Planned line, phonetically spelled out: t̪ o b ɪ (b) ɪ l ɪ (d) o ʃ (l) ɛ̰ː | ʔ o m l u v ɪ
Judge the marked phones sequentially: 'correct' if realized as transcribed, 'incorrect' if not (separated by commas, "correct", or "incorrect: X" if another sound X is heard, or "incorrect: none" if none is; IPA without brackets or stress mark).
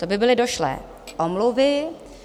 correct, correct, correct